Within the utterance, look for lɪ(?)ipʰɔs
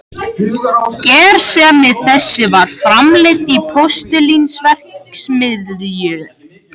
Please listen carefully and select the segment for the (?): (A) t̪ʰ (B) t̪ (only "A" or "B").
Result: B